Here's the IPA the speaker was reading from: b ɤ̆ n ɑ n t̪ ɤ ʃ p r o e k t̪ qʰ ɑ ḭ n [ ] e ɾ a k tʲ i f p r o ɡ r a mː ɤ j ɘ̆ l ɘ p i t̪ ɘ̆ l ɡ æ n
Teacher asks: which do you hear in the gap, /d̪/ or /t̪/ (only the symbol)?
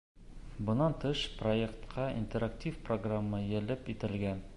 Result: t̪